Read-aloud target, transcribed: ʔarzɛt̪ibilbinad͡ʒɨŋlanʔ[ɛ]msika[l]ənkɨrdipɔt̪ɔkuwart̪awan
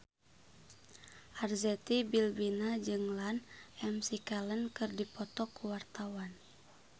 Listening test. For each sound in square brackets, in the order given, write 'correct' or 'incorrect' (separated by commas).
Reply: correct, correct